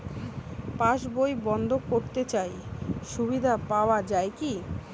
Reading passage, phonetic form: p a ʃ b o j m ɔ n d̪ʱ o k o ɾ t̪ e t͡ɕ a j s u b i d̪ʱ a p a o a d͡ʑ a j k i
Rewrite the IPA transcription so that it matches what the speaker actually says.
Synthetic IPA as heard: p a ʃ b o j b ɔ n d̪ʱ o k o ɾ t̪ e t͡ɕ a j ʃ u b i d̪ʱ a p a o a d͡ʑ a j k i